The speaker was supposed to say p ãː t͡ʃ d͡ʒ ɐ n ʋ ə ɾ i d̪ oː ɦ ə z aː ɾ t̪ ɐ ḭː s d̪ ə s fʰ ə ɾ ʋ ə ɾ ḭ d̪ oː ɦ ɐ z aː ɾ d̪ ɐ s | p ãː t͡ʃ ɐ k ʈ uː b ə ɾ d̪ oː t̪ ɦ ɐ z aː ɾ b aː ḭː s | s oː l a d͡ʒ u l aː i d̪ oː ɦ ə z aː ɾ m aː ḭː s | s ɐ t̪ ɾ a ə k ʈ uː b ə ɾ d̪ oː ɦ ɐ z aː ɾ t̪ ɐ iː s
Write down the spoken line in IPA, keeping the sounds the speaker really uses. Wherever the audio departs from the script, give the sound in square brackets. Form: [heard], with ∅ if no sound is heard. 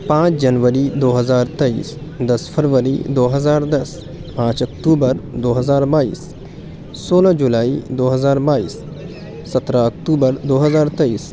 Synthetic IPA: p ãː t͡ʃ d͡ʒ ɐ n ʋ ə ɾ i d̪ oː ɦ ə z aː ɾ t̪ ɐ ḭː s d̪ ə s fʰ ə ɾ ʋ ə ɾ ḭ d̪ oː ɦ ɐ z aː ɾ d̪ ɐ s | p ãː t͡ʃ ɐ k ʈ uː b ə ɾ d̪ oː [∅] ɦ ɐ z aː ɾ b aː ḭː s | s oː l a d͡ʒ u l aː i d̪ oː ɦ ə z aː ɾ [b] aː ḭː s | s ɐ t̪ ɾ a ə k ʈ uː b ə ɾ d̪ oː ɦ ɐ z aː ɾ t̪ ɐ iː s